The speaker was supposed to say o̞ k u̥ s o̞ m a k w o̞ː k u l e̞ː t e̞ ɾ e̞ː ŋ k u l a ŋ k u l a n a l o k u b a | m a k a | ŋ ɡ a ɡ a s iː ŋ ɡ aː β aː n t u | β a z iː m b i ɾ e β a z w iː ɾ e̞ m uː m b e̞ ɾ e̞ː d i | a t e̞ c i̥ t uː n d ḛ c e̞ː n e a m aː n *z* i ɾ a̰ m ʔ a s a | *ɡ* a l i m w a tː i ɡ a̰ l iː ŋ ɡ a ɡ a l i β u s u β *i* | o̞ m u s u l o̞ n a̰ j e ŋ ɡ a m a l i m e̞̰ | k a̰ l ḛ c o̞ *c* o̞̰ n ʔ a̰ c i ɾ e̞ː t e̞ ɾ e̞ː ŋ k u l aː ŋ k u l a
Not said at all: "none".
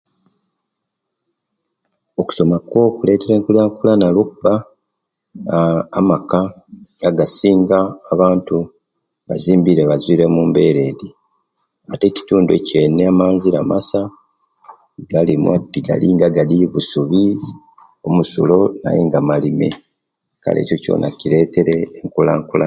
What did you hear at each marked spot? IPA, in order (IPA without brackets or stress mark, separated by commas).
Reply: z, ɡ, i, c